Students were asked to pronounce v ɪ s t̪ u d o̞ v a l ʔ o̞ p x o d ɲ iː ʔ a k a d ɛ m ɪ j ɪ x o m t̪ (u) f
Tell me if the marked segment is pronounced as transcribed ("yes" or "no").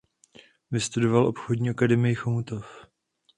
no